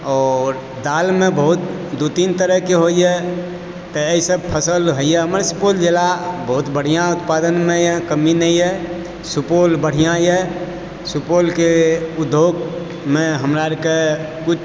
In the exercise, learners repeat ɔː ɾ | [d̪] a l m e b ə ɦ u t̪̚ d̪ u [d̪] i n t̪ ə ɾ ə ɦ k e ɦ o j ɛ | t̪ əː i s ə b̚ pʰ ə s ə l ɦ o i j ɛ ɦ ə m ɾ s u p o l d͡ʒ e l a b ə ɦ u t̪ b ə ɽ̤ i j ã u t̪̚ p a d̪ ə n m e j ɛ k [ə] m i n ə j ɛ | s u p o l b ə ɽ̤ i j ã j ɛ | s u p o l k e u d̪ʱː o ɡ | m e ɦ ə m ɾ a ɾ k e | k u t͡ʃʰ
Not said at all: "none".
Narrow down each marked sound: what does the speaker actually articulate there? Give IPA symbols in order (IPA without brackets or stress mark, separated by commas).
d̪, t̪, ə